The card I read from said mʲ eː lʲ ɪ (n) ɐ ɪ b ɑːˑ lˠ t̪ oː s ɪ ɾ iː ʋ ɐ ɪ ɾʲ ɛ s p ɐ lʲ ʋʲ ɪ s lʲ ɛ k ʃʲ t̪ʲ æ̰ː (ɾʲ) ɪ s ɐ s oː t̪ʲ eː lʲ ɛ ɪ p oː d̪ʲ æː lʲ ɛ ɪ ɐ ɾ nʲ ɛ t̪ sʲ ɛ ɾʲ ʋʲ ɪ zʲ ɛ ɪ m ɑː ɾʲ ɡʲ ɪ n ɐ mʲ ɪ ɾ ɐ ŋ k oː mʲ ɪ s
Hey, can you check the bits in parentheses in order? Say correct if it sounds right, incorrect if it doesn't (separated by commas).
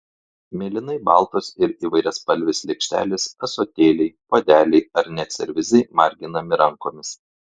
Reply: correct, incorrect